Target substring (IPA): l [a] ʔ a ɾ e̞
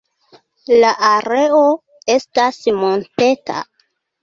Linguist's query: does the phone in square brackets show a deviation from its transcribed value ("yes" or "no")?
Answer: no